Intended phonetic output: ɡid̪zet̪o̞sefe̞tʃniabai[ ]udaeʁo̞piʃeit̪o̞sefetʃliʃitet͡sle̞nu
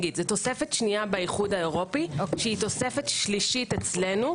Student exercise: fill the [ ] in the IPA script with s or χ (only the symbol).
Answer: χ